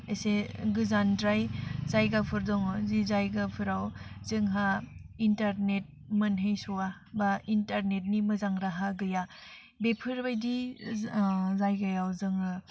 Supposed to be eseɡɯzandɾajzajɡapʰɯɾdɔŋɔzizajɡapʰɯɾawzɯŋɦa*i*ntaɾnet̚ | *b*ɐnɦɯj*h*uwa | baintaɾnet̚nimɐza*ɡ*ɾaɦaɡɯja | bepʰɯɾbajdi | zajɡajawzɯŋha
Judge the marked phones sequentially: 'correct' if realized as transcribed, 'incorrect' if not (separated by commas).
correct, incorrect, incorrect, incorrect